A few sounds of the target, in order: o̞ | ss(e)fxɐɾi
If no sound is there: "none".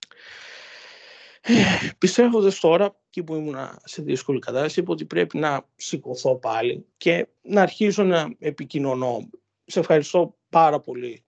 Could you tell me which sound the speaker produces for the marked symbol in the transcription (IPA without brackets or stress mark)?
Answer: e